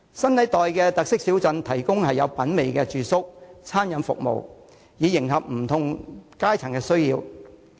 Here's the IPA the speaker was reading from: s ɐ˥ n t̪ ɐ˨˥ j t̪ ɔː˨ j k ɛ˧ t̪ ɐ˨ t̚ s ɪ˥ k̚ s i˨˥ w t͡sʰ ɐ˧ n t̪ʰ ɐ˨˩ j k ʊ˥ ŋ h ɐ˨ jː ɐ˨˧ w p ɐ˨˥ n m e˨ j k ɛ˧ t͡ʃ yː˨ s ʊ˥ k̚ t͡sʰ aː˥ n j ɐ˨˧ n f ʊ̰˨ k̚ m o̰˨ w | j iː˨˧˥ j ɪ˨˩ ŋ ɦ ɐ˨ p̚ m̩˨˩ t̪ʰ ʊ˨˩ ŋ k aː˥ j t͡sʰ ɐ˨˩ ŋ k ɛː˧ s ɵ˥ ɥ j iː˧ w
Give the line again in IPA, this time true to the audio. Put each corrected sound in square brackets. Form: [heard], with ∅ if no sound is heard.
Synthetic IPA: s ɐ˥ n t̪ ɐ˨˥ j t̪ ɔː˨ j k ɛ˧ t̪ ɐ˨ [k̚] s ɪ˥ k̚ s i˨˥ w [t͡s] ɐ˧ n t̪ʰ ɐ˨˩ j k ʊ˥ ŋ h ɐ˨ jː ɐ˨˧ w p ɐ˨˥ n m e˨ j k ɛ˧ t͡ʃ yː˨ s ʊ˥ k̚ t͡sʰ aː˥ n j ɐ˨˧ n f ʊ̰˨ k̚ m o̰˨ w | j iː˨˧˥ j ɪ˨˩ ŋ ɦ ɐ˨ p̚ m̩˨˩ t̪ʰ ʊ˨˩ ŋ k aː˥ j t͡sʰ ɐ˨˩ ŋ k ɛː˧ s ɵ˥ ɥ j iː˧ w